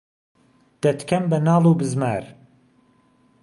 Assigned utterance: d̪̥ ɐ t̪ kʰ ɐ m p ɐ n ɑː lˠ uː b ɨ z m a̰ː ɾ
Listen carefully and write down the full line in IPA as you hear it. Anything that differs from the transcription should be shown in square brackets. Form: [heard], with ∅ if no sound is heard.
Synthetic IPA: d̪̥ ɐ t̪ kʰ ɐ m [b] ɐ n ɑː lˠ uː b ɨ z m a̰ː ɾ